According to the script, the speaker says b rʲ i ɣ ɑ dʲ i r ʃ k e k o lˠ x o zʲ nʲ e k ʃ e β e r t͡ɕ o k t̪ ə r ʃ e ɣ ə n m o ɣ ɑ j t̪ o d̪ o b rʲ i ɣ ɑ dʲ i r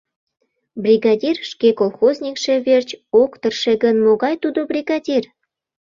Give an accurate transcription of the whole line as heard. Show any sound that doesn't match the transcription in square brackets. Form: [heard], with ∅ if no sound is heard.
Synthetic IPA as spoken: b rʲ i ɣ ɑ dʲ i r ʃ k e k o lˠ x o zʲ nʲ [i] k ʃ e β e r t͡ɕ o k t̪ ə r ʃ e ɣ ə n m o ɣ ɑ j t̪ [u] d̪ o b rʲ i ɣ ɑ dʲ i r